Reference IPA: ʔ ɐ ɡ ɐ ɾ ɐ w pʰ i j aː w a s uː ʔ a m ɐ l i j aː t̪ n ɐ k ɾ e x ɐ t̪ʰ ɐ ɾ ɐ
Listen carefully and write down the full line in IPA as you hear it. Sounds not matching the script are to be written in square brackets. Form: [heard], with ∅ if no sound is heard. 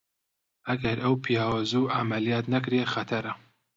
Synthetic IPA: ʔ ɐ ɡ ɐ ɾ ɐ w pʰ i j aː w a [z] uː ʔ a m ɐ l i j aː t̪ n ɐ k ɾ e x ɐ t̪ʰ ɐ ɾ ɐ